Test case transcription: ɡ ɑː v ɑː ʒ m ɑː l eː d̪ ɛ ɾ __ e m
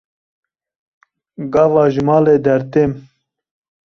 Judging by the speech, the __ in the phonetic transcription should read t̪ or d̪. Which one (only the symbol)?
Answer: t̪